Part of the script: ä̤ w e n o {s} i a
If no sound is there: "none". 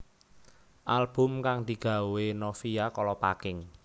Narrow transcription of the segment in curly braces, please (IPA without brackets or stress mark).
f